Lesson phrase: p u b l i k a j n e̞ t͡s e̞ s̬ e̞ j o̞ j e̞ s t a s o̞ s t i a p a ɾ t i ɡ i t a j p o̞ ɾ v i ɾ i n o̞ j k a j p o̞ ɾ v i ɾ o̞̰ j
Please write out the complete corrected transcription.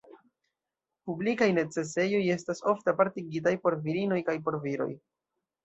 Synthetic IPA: p u b l i k a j n e̞ t͡s e̞ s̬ e̞ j o̞ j e̞ s t a s o̞ f t e a p a ɾ t i ɡ i t a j p o̞ ɾ v i ɾ i n o̞ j k a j p o̞ ɾ v i ɾ o̞̰ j